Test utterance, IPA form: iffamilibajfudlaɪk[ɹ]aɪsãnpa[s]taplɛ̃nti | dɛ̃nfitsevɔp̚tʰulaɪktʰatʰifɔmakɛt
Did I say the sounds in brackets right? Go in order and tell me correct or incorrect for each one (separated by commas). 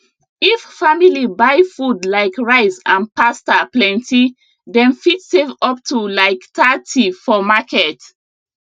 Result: correct, correct